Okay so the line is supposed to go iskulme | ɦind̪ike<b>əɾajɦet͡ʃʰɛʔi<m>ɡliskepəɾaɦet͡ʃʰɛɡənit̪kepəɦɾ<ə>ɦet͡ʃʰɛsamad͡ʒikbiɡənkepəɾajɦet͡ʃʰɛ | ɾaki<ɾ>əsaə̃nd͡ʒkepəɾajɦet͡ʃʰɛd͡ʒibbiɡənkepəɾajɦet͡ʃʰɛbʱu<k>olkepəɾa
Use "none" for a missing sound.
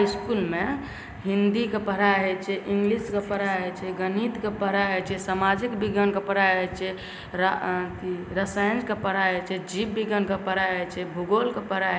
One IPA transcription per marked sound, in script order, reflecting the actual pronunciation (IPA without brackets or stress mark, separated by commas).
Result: p, ŋ, a, ɾ, ɡ